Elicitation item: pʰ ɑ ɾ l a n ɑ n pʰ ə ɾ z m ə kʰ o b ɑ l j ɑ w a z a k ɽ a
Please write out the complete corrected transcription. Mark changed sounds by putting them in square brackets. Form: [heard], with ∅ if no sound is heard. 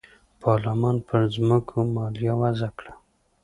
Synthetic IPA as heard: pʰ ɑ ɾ l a [m] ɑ n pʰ ə ɾ z m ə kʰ o [m] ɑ l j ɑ w a z a k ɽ a